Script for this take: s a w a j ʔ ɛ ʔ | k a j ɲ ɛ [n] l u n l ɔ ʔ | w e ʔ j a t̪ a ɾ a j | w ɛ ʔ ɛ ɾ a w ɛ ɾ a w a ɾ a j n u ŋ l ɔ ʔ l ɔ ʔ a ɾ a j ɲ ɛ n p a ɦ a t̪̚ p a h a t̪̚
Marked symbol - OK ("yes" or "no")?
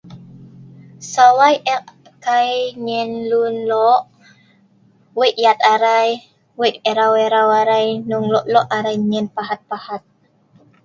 yes